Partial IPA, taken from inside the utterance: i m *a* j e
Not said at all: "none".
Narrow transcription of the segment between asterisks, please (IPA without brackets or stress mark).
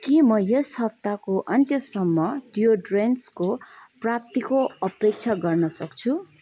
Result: ʌ